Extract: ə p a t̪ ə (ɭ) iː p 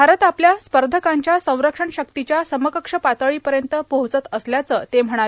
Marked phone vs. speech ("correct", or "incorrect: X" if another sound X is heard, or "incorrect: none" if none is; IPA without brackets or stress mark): correct